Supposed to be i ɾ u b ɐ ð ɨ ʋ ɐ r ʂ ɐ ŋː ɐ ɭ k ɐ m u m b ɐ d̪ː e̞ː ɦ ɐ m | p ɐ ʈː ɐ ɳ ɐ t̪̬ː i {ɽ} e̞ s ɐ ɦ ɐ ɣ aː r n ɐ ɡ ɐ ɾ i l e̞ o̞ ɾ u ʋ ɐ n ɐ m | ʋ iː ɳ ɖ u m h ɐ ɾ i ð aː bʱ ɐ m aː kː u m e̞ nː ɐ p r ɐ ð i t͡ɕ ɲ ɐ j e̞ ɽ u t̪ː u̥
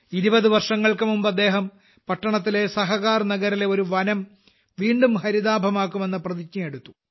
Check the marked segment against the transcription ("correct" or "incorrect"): incorrect